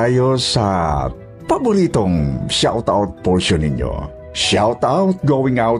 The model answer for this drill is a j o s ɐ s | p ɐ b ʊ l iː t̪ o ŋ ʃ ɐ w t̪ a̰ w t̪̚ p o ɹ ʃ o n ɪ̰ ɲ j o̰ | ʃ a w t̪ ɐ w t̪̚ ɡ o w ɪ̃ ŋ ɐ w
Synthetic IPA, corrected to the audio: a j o s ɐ | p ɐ b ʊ ɾ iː t̪ o ŋ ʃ a w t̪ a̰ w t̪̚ p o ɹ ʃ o n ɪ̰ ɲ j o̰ | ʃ a w t̪ a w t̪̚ ɡ o w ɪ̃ ŋ a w